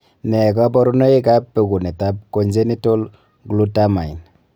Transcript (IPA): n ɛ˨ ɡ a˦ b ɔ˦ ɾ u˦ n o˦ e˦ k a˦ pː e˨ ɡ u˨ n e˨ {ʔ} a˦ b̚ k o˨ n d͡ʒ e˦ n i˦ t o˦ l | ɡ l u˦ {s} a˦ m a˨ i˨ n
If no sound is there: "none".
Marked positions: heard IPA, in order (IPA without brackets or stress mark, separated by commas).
t, t